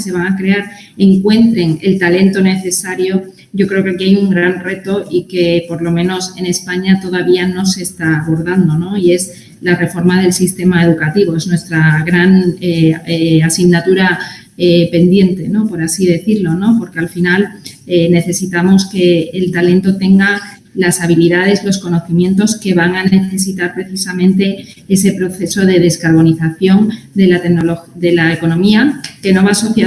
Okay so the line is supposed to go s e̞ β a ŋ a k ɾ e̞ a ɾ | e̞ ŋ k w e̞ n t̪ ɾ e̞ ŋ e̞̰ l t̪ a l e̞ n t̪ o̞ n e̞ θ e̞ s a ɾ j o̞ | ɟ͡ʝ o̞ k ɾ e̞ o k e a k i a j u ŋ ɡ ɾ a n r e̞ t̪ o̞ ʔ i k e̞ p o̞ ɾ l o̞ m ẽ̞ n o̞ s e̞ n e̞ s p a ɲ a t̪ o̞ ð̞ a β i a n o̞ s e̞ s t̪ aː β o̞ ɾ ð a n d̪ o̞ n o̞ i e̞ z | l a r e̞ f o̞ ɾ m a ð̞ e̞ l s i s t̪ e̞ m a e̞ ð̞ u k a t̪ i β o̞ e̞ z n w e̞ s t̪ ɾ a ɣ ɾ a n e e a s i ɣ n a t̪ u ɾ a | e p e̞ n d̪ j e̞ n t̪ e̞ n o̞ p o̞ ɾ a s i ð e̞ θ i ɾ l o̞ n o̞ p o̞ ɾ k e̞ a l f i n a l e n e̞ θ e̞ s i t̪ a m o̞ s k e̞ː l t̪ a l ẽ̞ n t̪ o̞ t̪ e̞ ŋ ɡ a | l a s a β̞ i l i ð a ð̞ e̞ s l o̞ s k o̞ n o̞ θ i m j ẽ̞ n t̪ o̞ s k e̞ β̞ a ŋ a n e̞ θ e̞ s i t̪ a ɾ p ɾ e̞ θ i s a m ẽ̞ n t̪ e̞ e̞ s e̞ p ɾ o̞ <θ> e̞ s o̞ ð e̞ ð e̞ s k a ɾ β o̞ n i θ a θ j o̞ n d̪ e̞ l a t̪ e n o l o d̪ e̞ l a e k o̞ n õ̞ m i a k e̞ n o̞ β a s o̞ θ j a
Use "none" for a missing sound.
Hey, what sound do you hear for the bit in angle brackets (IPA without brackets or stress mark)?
θ